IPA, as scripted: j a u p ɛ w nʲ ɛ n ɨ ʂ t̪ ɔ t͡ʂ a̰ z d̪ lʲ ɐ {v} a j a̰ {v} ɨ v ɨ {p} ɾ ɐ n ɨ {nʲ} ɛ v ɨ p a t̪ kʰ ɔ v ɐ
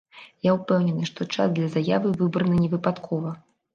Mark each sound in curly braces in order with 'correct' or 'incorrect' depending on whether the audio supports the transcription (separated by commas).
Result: incorrect, correct, incorrect, correct